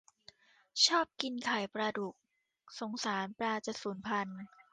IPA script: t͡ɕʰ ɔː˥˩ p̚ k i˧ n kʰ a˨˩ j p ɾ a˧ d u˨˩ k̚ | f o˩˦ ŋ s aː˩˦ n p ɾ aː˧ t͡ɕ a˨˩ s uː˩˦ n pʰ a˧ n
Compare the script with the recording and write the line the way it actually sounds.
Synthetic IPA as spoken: t͡ɕʰ ɔː˥˩ p̚ k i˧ n kʰ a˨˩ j p ɾ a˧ d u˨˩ k̚ | s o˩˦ ŋ s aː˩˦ n p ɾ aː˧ t͡ɕ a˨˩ s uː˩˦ n pʰ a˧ n